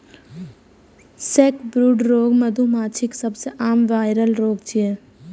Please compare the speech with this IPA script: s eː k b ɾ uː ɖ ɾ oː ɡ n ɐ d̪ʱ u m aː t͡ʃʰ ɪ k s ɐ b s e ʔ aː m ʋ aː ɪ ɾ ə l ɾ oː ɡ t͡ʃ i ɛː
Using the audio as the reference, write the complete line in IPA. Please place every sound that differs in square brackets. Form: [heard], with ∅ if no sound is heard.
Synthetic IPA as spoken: s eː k b ɾ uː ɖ ɾ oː ɡ [m] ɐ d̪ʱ u m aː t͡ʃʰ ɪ k s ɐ b s e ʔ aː m ʋ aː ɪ ɾ ə l ɾ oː ɡ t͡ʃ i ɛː